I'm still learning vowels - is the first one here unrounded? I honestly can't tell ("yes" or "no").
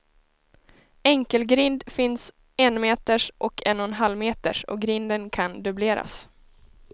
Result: yes